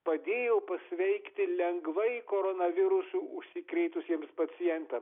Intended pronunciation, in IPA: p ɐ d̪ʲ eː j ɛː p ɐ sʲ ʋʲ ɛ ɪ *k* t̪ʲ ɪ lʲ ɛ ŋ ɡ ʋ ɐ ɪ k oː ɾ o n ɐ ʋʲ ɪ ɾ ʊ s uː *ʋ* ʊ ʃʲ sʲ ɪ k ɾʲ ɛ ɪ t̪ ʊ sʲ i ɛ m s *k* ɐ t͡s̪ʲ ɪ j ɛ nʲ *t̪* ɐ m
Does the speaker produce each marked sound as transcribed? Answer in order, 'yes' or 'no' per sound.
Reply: yes, no, no, yes

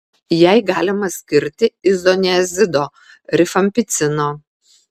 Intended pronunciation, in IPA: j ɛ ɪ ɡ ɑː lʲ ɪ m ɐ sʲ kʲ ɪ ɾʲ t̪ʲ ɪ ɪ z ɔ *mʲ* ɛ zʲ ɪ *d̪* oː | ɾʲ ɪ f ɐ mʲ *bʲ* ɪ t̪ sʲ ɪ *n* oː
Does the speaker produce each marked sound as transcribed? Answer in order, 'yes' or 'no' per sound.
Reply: no, yes, no, yes

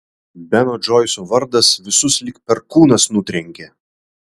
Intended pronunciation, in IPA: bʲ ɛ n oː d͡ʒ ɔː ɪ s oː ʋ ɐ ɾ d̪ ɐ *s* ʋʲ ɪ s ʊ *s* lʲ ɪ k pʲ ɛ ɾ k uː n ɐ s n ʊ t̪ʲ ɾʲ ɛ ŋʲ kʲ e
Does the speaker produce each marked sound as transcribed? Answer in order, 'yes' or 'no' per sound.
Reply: yes, yes

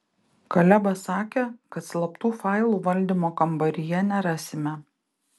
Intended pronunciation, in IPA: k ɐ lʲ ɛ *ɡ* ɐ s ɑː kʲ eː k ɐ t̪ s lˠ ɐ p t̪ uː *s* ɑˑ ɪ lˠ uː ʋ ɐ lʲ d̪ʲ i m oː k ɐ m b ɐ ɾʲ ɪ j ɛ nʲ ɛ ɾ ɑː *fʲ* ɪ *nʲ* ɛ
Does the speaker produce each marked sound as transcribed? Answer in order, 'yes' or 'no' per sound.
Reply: no, no, no, no

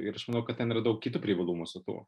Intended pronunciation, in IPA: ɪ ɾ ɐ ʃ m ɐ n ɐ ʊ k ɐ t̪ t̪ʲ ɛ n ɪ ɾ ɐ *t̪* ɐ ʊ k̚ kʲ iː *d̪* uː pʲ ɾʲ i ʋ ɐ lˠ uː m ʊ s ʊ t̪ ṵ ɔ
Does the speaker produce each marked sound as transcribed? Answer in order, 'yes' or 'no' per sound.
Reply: no, no

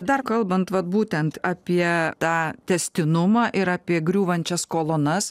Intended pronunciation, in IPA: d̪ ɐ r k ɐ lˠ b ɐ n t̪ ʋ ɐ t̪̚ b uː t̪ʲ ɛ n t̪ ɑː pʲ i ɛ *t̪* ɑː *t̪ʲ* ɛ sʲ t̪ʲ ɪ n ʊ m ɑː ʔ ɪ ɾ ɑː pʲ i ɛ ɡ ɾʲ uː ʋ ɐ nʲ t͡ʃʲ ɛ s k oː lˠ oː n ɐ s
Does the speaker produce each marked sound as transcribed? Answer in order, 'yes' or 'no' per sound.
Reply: yes, yes

